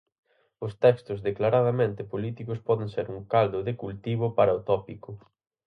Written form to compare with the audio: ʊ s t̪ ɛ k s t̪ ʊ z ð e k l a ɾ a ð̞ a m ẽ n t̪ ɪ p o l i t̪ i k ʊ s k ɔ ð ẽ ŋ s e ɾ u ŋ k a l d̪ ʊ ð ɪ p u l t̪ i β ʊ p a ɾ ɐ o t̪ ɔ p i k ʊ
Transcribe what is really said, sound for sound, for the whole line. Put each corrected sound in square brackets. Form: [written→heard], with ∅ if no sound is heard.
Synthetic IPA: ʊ s t̪ ɛ k s t̪ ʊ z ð e k l a ɾ a ð̞ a m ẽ n t̪ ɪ p o l i t̪ i k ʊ s [k→p] ɔ ð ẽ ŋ s e ɾ u ŋ k a l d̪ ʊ ð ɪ [p→k] u l t̪ i β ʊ p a ɾ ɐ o t̪ ɔ p i k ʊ